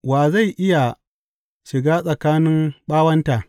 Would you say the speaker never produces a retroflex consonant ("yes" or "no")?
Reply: yes